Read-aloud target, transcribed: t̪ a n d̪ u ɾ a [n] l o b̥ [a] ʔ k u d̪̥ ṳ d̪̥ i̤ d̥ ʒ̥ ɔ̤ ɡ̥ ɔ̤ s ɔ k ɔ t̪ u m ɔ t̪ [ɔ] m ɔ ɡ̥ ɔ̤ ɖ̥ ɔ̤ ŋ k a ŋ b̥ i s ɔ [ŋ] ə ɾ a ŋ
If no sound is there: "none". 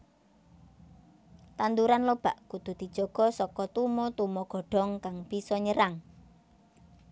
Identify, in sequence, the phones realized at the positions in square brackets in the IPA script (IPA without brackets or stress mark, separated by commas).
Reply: n, a, u, ɲ